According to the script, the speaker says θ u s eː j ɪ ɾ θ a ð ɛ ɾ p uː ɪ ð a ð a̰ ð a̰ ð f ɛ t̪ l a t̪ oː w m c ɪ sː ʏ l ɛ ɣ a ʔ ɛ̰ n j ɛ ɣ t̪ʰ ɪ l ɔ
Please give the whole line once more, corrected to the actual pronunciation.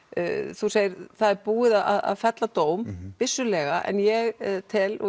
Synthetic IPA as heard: θ u s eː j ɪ ɾ θ a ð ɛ ɾ p uː ɪ ð a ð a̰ ð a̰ ð f ɛ t̪ l a t̪ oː w m p ɪ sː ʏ l ɛ ɣ a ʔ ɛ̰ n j ɛ ɣ t̪ʰ ɪ l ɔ